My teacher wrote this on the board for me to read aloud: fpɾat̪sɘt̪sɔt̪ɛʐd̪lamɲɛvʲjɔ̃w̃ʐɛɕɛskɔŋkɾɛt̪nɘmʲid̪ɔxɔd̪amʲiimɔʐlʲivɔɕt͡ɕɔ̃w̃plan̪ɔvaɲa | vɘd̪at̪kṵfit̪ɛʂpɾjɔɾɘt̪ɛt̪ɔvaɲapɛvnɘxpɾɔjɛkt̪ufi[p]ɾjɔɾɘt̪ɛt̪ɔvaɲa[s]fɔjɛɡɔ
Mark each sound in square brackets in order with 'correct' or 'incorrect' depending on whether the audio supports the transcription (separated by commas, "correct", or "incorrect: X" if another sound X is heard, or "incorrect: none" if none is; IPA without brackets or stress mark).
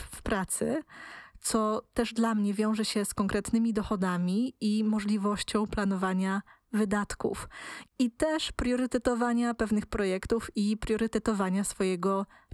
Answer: correct, correct